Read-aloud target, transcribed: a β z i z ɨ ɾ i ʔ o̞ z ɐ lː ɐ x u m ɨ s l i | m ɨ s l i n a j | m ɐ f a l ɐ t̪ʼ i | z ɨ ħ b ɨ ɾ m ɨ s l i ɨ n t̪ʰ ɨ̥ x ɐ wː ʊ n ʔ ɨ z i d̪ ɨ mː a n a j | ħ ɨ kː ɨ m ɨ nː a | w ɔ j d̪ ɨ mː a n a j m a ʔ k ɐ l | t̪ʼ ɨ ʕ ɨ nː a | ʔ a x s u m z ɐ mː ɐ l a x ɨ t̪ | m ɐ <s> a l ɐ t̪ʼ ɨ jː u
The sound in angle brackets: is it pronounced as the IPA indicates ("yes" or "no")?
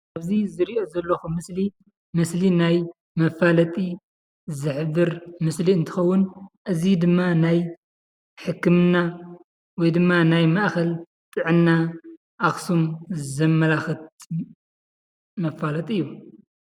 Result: no